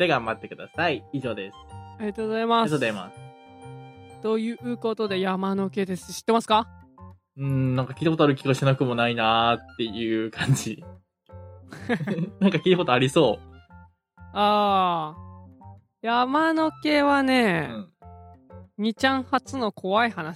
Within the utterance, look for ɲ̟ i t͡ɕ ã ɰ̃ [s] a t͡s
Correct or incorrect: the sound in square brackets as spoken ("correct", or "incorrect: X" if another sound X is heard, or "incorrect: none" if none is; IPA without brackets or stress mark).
incorrect: h